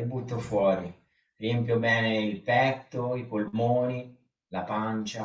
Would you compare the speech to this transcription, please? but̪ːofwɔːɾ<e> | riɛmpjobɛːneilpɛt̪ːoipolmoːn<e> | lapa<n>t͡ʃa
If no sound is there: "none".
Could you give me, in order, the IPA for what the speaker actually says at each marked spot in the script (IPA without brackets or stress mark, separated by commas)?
i, i, n